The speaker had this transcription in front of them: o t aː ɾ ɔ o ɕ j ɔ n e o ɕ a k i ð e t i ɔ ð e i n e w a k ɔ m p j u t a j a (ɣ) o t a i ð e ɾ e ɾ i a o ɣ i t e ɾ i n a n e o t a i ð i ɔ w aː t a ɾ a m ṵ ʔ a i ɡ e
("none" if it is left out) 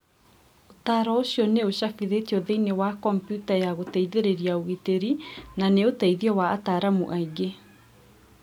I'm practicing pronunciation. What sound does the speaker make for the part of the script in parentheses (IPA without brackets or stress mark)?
ɣ